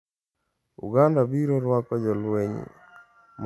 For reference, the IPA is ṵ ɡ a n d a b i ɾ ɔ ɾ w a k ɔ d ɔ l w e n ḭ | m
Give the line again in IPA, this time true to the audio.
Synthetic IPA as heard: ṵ ɡ a n d a b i ɾ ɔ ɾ w a k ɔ d͡ʒ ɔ l w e ɲ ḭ | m